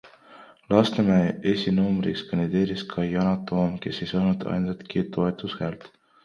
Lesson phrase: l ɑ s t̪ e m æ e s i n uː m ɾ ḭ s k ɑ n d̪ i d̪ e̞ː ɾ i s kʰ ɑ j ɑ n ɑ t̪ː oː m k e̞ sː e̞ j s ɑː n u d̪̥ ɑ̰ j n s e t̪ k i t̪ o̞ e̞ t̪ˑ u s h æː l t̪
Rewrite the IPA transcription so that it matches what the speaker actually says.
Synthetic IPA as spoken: l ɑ s t̪ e m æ e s i n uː m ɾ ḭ s k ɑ n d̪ i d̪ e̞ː ɾ i s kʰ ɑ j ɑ n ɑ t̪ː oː m k e̞ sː e̞ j s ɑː n u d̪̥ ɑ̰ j n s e t̪ k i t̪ o̞ e̞ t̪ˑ u s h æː l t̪